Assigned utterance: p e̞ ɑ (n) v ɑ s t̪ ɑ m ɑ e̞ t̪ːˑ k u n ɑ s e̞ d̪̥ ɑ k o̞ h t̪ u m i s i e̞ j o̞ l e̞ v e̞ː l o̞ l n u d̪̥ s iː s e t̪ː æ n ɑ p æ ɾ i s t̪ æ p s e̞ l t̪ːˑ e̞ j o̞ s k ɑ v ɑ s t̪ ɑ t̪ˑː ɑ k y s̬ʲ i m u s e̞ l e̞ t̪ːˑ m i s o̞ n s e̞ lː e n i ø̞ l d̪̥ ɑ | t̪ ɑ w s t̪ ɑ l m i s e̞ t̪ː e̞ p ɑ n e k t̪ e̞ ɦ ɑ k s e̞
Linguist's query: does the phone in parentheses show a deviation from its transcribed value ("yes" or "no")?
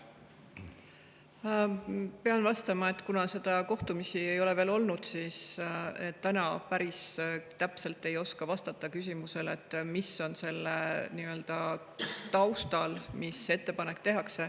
no